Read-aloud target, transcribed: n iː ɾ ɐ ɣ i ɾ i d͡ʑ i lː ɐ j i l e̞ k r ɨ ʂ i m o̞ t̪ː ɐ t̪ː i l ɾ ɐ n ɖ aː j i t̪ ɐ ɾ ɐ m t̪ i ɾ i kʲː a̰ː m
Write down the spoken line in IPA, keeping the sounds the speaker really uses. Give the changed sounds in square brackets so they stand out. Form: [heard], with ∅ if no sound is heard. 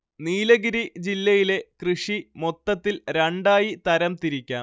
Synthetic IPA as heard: n iː [l] ɐ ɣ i ɾ i d͡ʑ i lː ɐ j i l e̞ k r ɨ ʂ i m o̞ t̪ː ɐ t̪ː i l ɾ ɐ [ɳ] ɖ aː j i t̪ ɐ ɾ ɐ m t̪ i ɾ i kʲː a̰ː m